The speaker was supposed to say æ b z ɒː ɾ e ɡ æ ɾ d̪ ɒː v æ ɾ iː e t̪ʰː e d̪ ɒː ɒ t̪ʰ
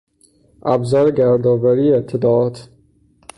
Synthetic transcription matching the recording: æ b z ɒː ɾ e ɡ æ ɾ d̪ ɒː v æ ɾ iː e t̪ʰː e d̪ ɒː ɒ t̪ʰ

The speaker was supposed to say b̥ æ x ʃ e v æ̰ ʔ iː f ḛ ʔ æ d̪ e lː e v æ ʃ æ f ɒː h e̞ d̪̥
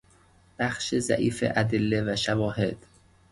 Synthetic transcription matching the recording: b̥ æ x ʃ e z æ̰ ʔ iː f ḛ ʔ æ d̪ e lː e v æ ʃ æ v ɒː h e̞ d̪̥

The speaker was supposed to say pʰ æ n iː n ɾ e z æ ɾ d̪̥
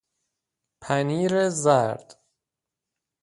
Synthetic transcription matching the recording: pʰ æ n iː ɾ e z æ ɾ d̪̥

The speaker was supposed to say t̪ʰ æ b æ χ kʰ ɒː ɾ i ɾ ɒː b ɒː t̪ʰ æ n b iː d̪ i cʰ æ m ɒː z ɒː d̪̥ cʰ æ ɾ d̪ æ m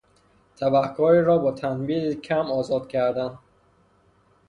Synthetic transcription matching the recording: t̪ʰ æ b æ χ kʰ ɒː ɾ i ɾ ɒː b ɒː t̪ʰ æ n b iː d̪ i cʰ æ m ɒː z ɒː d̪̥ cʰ æ ɾ d̪ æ n

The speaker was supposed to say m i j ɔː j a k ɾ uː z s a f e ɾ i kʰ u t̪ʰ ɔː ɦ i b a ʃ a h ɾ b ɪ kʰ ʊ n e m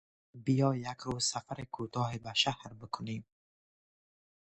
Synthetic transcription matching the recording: b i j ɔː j a k ɾ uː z s a f a ɾ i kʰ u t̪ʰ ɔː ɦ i b a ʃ a h ɾ b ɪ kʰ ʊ n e m

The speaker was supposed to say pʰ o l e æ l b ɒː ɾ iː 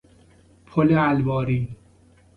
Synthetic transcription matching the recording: pʰ o l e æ l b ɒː ɾ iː

